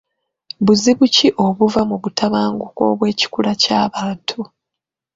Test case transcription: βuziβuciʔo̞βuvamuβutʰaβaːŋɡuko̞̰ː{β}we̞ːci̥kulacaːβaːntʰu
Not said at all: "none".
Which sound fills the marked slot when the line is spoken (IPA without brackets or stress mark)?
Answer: β